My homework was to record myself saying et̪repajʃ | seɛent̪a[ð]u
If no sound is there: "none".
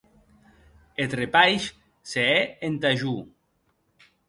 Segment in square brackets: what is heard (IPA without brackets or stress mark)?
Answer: ʒ